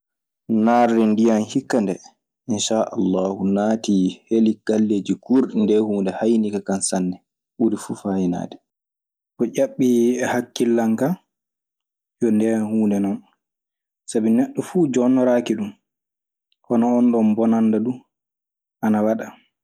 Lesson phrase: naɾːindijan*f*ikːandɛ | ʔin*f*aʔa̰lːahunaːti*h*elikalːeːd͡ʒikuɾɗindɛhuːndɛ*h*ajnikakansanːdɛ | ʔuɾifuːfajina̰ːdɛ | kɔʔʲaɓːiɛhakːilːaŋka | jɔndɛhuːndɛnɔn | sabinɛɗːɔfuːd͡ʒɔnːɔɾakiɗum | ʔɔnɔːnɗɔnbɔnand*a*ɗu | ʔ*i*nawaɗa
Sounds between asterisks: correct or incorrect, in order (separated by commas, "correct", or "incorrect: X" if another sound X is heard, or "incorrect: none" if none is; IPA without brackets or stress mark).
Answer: incorrect: h, incorrect: ʃ, correct, correct, correct, incorrect: a